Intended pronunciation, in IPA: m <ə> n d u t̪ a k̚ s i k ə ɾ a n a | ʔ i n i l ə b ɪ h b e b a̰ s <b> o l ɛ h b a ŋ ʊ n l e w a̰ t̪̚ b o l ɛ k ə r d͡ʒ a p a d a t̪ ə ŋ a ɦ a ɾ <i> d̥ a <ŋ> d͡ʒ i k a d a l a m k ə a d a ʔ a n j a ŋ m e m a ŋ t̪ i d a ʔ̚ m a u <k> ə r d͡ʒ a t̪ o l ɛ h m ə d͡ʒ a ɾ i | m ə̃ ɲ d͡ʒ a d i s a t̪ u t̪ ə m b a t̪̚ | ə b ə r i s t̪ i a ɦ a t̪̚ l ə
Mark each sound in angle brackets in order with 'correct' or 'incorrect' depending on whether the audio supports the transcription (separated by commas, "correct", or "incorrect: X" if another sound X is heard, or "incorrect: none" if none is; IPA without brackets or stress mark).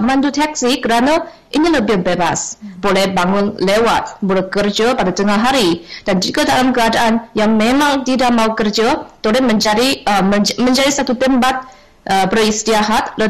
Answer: incorrect: a, correct, correct, incorrect: n, correct